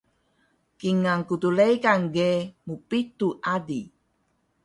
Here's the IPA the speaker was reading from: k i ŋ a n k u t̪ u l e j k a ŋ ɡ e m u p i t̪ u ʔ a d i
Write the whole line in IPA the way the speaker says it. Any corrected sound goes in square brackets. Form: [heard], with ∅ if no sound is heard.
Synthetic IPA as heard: k i ŋ a [ŋ] k u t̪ u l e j k a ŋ ɡ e m u p i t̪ u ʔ a d i